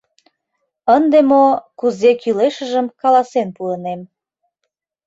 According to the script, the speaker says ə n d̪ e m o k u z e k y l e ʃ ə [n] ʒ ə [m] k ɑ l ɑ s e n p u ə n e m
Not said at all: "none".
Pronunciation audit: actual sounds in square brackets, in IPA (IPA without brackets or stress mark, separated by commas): none, m